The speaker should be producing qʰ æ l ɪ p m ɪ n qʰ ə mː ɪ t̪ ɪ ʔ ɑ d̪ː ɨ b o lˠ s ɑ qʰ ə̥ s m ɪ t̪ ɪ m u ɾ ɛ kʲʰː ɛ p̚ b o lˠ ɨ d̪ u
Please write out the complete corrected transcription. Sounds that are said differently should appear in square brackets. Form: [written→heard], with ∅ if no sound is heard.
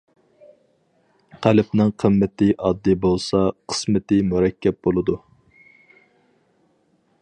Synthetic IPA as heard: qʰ æ l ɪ p [m→n] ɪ [n→ŋ] qʰ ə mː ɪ t̪ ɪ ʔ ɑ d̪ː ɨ b o lˠ s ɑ qʰ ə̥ s m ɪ t̪ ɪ m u ɾ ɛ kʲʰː ɛ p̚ b o lˠ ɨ d̪ u